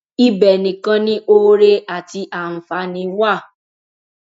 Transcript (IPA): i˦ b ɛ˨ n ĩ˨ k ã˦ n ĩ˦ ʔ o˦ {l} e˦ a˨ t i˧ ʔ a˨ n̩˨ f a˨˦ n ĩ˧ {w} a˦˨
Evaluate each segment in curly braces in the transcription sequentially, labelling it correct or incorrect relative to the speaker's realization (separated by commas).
incorrect, correct